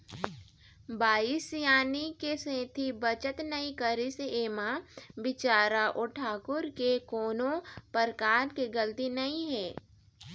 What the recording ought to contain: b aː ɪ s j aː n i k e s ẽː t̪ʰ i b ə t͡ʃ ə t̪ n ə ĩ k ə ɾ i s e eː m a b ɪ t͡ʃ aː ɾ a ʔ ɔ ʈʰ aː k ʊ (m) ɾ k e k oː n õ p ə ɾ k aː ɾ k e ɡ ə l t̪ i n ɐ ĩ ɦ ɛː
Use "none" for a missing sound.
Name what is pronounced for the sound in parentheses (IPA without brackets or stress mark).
none